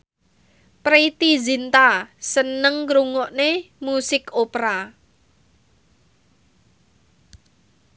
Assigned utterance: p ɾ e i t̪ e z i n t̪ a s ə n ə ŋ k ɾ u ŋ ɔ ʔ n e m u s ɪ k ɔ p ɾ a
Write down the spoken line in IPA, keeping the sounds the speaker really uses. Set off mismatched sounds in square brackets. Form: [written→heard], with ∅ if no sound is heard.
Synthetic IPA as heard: p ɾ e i t̪ [e→i] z i n t̪ a s ə n ə ŋ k ɾ u ŋ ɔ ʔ n e m u s ɪ k [ɔ→o] p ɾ a